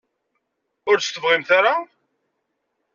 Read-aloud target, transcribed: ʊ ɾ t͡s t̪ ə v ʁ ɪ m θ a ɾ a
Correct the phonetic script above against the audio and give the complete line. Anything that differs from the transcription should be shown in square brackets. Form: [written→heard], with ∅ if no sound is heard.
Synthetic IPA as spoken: ʊ ɾ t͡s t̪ ə v ʁ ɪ m θ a ɾ a